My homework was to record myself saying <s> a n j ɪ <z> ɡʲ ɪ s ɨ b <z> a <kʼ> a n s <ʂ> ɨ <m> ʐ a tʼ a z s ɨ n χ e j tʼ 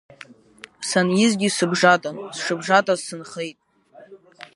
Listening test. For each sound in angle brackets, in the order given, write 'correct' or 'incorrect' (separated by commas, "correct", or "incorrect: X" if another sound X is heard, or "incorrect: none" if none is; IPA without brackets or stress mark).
correct, correct, incorrect: ʐ, incorrect: tʼ, correct, incorrect: b